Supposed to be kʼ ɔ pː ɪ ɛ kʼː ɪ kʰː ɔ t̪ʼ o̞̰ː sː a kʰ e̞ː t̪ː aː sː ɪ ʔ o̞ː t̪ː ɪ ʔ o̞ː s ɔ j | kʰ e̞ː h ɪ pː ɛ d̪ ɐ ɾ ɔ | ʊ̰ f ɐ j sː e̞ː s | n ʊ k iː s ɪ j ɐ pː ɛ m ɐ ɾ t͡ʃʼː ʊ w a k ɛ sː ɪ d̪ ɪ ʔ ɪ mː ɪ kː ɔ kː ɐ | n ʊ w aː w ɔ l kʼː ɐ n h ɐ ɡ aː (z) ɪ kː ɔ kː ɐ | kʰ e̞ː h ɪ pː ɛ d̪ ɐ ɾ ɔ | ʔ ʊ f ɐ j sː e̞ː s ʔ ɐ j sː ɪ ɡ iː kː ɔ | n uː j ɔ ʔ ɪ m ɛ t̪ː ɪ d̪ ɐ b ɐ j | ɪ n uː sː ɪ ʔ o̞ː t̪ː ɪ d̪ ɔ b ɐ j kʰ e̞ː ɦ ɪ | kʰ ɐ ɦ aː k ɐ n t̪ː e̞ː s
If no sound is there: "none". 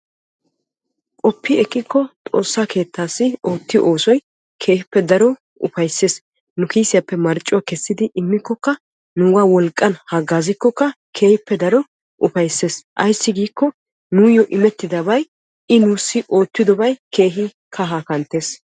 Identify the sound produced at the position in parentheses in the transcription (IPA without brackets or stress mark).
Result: z